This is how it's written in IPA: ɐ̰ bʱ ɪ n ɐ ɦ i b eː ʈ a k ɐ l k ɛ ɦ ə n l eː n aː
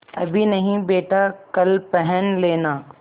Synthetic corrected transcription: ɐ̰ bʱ i n ɐ ɦ ĩ b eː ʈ a k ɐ l p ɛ ɦ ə n l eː n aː